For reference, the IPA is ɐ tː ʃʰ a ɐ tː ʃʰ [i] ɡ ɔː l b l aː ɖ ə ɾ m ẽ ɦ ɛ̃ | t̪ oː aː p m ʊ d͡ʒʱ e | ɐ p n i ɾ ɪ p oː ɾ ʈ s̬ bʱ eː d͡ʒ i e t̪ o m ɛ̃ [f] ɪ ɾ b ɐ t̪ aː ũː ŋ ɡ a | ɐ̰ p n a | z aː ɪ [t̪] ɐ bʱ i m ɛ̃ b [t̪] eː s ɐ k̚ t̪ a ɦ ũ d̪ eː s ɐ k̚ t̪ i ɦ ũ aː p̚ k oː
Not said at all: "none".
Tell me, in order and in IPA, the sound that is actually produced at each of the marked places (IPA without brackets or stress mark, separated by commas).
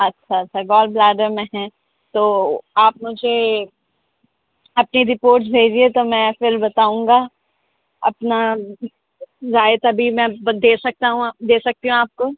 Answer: a, f, t̪, d̪